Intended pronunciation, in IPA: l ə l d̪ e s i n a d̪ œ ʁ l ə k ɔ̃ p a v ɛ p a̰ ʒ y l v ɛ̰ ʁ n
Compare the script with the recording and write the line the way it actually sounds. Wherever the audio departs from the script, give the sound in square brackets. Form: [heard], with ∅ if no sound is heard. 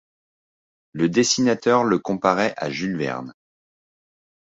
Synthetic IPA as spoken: l ə [∅] d̪ e s i n a [t̪] œ ʁ l ə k ɔ̃ p a [ʁ] ɛ [ʔ] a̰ ʒ y l v ɛ̰ ʁ n